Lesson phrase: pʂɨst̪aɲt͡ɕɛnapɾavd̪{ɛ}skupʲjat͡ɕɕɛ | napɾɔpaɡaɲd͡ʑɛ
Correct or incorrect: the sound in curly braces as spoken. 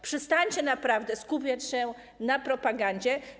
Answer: correct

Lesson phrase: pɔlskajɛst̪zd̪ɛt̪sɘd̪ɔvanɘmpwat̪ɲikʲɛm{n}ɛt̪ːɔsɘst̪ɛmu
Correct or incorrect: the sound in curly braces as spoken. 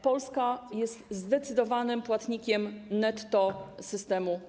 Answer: correct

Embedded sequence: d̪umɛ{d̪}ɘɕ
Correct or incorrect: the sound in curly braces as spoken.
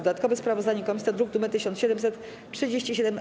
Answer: incorrect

